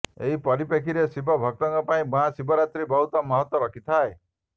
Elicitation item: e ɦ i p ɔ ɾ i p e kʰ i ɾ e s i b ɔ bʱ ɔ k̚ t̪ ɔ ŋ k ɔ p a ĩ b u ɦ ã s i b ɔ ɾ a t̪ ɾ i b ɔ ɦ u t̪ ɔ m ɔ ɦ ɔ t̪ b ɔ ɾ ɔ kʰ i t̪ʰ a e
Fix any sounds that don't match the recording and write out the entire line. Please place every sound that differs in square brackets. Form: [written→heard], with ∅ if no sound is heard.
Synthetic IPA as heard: e ɦ i p ɔ ɾ i p e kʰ i ɾ e s i b ɔ bʱ ɔ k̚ t̪ ɔ ŋ k ɔ p a ĩ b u ɦ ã s i b ɔ ɾ a t̪ ɾ i b ɔ ɦ u t̪ ɔ m ɔ ɦ ɔ t̪ [b→w] ɔ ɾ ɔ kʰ i t̪ʰ a e